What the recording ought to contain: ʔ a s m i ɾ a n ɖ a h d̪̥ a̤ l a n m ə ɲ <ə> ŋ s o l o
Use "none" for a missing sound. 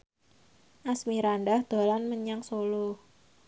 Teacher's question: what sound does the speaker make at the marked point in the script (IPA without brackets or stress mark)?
a